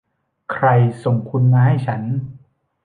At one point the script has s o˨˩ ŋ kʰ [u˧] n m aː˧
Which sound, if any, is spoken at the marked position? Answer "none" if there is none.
u˧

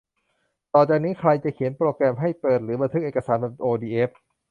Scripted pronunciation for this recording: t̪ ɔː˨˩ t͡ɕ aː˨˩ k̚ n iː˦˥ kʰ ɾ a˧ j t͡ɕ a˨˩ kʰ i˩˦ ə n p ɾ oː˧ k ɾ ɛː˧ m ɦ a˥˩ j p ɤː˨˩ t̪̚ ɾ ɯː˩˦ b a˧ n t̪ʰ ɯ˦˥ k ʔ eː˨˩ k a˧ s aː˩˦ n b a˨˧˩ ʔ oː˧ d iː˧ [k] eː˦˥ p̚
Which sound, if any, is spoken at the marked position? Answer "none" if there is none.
ʔ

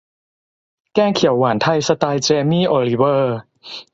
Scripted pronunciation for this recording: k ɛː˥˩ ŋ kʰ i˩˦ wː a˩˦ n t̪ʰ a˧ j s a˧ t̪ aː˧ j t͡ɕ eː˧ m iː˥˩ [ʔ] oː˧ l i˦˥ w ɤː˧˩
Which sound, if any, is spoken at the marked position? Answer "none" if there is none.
ʔ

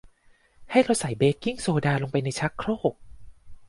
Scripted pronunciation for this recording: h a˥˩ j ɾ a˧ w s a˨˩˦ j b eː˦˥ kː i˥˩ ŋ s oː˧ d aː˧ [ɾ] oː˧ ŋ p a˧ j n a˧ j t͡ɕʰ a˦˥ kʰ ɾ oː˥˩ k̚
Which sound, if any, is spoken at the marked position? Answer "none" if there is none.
l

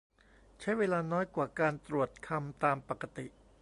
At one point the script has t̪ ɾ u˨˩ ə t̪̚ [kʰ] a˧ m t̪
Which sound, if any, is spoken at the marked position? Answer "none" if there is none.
kʰ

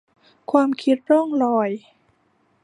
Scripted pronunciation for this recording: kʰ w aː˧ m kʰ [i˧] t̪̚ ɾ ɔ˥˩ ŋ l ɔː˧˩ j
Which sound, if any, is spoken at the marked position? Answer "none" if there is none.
i˦˥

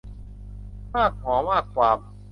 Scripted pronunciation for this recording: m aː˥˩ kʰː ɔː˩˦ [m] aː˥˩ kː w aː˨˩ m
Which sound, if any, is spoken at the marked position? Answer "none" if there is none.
m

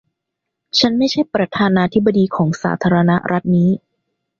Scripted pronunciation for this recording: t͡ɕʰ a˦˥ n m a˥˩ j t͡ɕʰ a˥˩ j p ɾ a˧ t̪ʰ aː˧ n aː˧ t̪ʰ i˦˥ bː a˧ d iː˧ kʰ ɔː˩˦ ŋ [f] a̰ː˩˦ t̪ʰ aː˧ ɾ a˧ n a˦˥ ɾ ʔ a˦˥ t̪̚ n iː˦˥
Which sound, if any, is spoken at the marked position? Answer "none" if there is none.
s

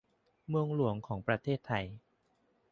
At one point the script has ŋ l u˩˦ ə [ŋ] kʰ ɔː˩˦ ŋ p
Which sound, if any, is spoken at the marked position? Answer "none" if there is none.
ŋ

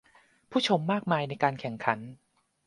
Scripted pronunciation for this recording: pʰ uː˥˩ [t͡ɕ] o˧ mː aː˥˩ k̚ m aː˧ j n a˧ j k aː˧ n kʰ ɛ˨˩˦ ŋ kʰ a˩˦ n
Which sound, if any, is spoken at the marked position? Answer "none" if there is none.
t͡ɕʰ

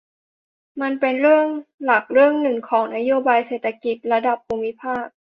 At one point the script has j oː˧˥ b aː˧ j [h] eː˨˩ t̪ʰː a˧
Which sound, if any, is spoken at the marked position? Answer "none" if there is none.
s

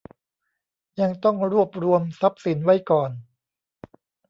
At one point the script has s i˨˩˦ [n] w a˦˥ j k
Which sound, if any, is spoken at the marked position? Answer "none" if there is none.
n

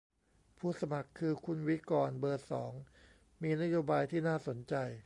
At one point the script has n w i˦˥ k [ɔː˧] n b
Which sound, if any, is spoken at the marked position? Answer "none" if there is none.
ɔː˧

